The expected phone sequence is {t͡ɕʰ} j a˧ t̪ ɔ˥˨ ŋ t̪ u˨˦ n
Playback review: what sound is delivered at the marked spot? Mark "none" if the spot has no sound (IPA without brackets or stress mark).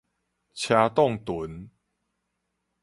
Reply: t͡ɕʰ